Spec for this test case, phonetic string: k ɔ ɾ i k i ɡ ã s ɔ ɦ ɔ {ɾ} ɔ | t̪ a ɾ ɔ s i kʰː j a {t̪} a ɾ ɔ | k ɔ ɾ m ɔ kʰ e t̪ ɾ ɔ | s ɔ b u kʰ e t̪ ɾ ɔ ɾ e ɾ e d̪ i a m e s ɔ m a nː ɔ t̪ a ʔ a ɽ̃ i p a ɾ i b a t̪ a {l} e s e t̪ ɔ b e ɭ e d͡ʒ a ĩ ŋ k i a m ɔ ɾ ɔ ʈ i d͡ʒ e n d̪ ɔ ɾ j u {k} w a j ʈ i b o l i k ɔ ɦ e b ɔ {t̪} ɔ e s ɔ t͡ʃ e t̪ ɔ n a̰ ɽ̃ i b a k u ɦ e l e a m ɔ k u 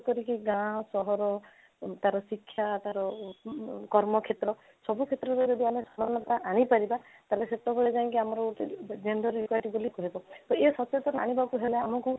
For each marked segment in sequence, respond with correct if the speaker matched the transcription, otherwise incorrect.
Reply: correct, correct, correct, correct, correct

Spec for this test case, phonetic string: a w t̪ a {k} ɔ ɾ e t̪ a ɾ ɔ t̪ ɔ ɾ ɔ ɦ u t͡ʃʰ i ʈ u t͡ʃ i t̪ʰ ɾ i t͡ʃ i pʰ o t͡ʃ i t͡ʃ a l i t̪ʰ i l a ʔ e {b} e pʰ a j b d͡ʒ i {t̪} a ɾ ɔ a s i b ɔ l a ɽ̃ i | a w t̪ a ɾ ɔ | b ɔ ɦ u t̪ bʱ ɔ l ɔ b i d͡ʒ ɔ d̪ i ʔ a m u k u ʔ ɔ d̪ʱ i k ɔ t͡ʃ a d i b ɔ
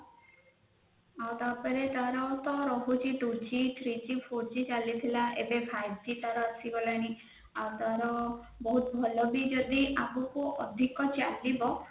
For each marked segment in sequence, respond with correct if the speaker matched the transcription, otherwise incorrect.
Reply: incorrect, correct, correct

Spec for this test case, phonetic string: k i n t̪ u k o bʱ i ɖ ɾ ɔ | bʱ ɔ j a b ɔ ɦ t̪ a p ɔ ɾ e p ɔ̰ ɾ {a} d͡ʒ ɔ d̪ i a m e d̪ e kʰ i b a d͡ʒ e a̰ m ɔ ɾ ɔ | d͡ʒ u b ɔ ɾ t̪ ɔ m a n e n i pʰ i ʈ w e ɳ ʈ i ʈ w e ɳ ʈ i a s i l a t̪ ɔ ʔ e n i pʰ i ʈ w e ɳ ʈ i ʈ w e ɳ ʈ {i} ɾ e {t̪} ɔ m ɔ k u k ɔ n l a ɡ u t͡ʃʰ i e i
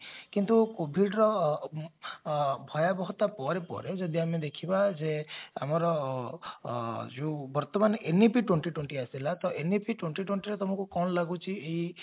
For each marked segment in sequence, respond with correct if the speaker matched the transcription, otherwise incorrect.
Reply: incorrect, correct, correct

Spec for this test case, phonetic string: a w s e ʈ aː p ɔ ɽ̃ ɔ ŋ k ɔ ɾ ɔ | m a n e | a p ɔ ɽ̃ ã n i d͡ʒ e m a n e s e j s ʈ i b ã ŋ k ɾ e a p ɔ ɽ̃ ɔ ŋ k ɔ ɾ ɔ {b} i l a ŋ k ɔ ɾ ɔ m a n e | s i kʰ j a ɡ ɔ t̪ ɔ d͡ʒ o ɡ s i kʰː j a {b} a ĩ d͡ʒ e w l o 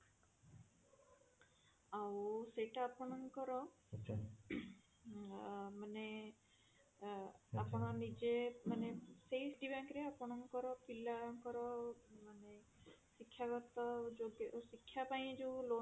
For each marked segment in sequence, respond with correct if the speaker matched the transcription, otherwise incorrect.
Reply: incorrect, incorrect

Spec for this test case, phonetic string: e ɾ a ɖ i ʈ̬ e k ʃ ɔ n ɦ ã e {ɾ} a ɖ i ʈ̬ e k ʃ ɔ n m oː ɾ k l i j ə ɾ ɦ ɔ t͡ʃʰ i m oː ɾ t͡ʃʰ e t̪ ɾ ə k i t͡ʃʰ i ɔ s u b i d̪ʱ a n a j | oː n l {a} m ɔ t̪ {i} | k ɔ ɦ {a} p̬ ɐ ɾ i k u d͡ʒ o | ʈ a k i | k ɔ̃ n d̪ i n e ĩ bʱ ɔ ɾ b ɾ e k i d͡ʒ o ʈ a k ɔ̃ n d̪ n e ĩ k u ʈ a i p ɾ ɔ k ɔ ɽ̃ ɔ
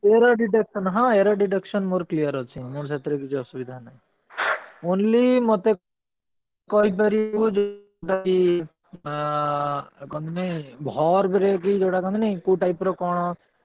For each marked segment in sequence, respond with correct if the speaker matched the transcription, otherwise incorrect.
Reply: correct, incorrect, incorrect, incorrect

